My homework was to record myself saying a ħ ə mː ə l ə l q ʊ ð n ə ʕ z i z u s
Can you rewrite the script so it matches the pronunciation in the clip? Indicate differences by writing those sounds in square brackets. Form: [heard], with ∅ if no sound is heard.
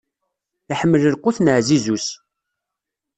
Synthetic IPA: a ħ ə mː ə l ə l q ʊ [θ] n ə ʕ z i z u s